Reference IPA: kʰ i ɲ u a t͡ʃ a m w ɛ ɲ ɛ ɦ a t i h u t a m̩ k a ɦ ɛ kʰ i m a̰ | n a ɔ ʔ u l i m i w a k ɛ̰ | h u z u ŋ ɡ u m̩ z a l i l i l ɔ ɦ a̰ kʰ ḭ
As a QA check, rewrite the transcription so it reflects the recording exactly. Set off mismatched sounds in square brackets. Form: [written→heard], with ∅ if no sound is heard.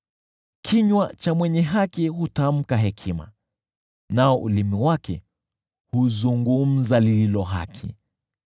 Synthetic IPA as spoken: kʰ i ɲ [u→w] a t͡ʃ a m w ɛ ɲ ɛ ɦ a [t→k] i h u t a m̩ k a ɦ ɛ kʰ i m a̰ | n a ɔ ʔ u l i m i w a k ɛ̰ | h u z u ŋ ɡ u m̩ z a l i l i l ɔ ɦ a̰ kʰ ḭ

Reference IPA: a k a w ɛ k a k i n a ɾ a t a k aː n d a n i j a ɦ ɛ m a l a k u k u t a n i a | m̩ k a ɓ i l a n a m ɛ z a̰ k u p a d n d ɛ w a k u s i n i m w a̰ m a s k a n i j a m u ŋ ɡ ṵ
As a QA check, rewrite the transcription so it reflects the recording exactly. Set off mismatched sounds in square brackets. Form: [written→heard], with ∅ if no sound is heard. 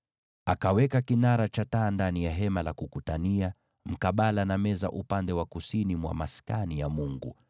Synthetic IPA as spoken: a k a w ɛ k a k i n a ɾ a [t→t͡ʃ] a [k→t] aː n d a n i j a ɦ ɛ m a l a k u k u t a n i a | m̩ k a ɓ [i→a] l a n a m ɛ z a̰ [k→ʔ] u p a [d→∅] n d ɛ w a k u s i n i m w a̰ m a s k a n i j a m u ŋ ɡ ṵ

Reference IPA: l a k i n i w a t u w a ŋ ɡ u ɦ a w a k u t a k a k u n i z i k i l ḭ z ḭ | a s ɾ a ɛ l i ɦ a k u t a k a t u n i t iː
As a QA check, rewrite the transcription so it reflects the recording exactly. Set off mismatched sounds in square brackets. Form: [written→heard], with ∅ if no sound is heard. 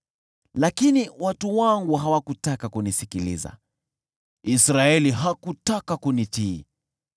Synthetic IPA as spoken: l a k i n i w a t u w a ŋ ɡ u ɦ a w a k u t a k a k u n i [z→s] i k i l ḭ z [ḭ→a̰] | [a→i] s ɾ a ɛ l i ɦ a k u t a k a [t→k] u n i t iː

